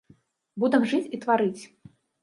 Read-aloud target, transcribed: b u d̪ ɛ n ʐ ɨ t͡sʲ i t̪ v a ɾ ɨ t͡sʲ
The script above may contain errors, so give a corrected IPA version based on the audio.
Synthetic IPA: b u d̪ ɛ m ʐ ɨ t͡sʲ i t̪ v a ɾ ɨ t͡sʲ